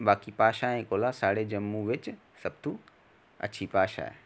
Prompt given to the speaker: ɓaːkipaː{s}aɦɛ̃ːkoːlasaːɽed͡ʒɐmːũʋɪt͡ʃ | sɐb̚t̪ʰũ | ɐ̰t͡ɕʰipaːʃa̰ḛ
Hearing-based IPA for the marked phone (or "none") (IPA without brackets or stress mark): ʃ